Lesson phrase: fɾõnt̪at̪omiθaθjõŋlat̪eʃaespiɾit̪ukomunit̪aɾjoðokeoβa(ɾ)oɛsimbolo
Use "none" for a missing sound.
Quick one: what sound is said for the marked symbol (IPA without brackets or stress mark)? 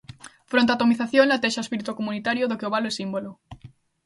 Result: l